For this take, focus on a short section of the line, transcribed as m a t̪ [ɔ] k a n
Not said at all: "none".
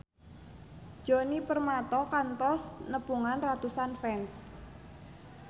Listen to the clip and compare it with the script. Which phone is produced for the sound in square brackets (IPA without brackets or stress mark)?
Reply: ɔ